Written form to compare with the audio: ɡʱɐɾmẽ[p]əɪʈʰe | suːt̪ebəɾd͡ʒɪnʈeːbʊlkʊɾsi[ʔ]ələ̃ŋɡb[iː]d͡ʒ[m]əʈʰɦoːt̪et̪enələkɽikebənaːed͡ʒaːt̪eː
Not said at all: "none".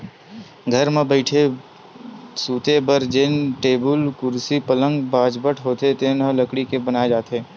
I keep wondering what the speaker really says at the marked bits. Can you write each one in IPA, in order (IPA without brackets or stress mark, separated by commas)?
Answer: b, p, aː, b